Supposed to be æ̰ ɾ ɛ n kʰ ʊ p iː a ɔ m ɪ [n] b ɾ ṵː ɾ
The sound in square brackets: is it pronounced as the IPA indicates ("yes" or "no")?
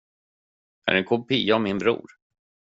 yes